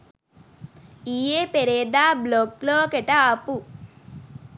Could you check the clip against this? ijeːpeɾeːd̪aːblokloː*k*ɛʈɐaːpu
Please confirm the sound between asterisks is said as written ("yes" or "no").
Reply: yes